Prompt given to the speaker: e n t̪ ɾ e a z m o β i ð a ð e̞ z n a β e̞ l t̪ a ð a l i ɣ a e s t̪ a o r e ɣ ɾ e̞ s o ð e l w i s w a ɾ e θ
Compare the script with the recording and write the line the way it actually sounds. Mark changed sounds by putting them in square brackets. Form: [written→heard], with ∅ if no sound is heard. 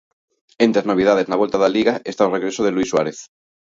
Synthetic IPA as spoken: e n t̪ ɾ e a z [m→n] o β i ð a ð e̞ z n a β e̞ l t̪ a ð a l i ɣ a e s t̪ a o r e ɣ ɾ e̞ s o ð e l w i s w a ɾ e θ